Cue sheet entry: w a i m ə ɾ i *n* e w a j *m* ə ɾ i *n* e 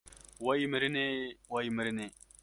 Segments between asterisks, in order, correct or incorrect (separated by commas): correct, correct, correct